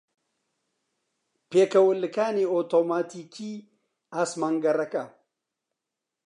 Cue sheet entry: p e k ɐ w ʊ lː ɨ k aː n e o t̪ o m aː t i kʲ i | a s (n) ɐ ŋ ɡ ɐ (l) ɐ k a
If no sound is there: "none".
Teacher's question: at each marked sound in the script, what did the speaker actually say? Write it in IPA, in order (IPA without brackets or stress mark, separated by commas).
m, ɾ